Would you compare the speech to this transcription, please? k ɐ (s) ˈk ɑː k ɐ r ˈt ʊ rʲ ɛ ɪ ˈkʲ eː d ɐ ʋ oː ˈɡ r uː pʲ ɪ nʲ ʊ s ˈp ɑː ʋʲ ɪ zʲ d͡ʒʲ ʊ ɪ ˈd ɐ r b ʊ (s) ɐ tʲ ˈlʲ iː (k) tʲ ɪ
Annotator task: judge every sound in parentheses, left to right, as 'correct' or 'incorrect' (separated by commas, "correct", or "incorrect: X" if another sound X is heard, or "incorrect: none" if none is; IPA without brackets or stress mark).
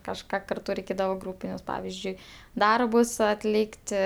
incorrect: ʃ, correct, correct